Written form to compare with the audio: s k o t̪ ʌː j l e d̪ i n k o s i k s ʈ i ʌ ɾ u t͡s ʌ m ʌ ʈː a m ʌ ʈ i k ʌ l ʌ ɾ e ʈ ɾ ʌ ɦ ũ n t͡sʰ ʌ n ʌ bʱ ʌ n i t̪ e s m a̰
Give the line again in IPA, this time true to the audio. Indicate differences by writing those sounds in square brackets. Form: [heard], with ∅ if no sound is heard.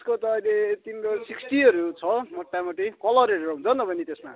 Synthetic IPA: s k o t̪ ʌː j l e [t̪] i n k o s i k s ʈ i ʌ ɾ u [t͡sʰ] ʌ m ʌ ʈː a m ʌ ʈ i k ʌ l ʌ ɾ e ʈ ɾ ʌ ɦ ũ n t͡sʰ ʌ n ʌ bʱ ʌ n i t̪ e s m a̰